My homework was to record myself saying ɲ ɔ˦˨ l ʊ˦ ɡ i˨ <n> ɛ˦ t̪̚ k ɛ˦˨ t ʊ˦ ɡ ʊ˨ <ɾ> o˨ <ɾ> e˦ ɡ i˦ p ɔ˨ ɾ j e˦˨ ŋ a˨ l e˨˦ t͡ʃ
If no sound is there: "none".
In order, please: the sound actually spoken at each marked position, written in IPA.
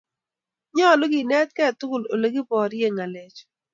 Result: n, l, l

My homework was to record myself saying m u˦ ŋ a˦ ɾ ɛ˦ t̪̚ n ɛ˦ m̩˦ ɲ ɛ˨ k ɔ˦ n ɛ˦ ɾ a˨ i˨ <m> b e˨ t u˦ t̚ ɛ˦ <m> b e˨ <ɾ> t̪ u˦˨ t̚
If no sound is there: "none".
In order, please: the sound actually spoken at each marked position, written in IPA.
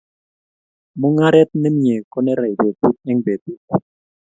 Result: none, ŋ, none

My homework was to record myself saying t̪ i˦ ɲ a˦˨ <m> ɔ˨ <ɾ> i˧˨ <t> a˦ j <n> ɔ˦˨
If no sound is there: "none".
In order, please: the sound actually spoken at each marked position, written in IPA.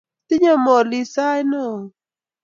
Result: m, l, s, n

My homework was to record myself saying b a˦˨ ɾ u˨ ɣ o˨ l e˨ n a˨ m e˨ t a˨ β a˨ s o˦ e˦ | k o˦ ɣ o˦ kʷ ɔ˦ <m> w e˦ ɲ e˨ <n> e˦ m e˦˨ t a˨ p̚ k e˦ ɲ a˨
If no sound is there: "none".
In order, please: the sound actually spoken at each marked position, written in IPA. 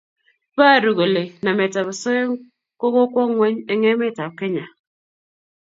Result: ŋ, ŋ

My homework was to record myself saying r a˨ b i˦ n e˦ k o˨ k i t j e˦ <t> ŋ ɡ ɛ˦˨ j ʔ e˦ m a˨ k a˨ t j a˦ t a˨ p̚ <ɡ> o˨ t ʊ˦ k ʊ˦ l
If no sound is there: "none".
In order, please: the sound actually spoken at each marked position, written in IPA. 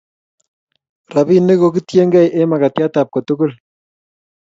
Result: none, k

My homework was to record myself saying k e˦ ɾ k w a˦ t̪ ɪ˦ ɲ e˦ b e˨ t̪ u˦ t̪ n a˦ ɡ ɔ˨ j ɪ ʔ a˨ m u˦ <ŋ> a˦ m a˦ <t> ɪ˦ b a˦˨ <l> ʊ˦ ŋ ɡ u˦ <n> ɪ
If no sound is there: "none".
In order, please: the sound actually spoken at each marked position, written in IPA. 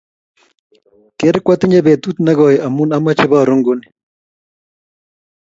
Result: n, t͡ʃ, ɾ, n

